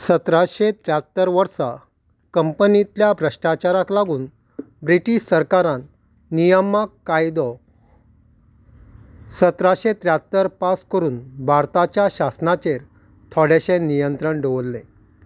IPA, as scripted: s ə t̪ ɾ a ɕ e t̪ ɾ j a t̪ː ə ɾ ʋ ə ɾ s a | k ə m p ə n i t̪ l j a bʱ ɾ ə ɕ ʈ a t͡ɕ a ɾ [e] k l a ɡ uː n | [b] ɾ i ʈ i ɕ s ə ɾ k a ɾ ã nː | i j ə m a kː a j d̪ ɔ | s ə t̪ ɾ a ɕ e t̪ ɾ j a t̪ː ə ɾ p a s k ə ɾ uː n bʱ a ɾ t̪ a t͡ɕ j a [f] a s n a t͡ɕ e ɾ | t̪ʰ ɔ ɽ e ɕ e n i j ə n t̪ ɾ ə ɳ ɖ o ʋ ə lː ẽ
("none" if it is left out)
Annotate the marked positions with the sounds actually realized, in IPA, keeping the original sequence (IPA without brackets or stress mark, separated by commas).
a, b, ɕ